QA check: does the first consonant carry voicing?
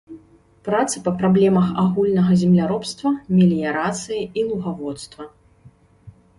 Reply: no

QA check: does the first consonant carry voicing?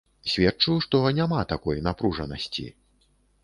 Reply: no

